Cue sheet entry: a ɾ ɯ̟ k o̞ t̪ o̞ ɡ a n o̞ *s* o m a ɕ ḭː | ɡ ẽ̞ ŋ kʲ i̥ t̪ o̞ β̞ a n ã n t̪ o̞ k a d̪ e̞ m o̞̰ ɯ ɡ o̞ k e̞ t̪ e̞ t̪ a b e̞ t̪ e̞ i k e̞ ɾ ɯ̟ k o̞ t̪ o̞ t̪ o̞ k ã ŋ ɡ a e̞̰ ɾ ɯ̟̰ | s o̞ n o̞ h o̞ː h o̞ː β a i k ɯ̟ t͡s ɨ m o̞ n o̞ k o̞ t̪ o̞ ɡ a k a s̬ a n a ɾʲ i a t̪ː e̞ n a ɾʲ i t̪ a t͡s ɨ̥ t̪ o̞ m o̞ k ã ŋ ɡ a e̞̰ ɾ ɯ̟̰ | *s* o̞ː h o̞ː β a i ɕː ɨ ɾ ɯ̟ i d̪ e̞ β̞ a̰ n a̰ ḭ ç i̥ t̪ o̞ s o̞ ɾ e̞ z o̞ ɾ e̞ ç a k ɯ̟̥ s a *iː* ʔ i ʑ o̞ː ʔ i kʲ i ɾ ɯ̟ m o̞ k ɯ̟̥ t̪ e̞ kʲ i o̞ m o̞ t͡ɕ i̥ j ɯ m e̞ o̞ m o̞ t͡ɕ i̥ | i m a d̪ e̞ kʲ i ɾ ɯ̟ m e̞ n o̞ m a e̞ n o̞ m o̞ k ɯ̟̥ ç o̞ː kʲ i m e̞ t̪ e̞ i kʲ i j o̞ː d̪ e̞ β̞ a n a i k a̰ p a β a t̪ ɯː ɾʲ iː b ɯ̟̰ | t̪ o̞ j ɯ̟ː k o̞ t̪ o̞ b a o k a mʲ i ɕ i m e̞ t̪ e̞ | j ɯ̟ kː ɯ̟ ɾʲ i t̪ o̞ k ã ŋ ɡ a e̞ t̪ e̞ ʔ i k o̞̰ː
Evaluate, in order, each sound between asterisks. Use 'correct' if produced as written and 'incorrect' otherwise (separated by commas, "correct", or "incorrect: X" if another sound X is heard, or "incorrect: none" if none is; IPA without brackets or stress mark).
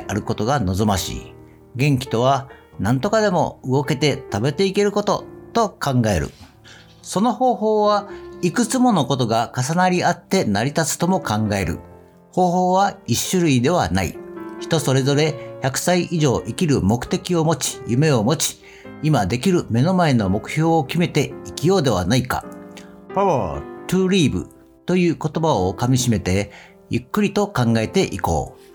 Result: incorrect: z, incorrect: h, incorrect: i